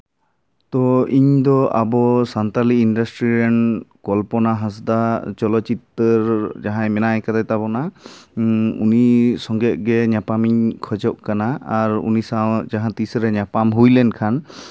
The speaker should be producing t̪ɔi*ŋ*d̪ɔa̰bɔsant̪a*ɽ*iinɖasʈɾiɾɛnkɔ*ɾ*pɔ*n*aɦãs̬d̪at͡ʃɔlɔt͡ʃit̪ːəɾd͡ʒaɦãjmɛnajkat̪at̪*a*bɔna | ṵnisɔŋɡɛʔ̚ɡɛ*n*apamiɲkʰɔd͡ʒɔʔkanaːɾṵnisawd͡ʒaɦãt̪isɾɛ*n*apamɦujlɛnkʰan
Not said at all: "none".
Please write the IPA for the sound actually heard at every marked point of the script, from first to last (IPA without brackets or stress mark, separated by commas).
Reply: ɲ, l, l, n, a, ɲ, ɲ